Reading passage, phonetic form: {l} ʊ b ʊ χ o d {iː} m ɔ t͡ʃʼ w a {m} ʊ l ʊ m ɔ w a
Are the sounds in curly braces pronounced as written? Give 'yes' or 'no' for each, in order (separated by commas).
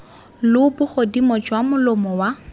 yes, no, yes